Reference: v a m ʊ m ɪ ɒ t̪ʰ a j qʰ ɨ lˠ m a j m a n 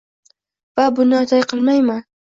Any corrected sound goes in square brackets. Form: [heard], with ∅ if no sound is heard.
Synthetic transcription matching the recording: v a [b] ʊ [n] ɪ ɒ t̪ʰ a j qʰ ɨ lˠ m a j m a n